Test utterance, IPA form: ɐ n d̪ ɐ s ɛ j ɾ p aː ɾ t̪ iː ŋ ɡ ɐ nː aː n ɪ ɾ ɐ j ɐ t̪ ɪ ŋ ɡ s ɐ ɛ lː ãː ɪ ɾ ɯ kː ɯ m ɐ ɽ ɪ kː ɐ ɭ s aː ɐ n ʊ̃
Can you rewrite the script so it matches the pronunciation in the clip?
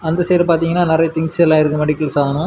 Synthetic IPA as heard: ɐ n d̪ ɐ s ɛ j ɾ p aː ɾ t̪ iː ŋ ɡ ɐ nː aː n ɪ ɾ ɐ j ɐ t̪ ɪ ŋ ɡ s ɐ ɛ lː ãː ɪ ɾ ɯ kː ɯ m ɐ ɽ ɪ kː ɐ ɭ s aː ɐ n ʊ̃